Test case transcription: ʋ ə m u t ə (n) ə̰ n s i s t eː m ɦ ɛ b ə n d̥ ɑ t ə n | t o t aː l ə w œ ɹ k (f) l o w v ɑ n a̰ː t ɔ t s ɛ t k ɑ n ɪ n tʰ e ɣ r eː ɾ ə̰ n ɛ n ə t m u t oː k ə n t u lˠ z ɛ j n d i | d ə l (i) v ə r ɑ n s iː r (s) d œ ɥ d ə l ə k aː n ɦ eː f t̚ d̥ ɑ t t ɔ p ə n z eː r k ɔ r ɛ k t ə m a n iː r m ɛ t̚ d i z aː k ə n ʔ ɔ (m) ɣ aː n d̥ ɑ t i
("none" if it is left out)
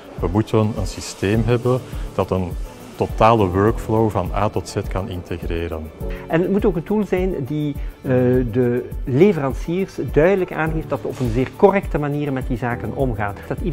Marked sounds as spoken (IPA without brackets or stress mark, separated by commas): n, f, e, s, m